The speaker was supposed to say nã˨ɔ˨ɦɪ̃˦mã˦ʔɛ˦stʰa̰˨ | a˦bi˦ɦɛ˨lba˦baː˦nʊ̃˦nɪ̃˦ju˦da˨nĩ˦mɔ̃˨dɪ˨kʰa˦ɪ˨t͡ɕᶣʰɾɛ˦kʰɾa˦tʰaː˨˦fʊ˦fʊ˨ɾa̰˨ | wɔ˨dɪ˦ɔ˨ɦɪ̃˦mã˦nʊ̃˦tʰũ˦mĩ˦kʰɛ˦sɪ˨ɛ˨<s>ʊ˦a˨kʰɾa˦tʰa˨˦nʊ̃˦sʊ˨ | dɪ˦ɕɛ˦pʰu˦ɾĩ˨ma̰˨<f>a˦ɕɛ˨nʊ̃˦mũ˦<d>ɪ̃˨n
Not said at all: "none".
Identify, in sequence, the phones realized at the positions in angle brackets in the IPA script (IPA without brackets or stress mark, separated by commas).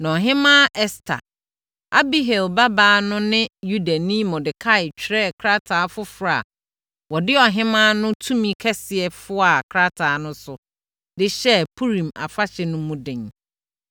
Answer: f, f, d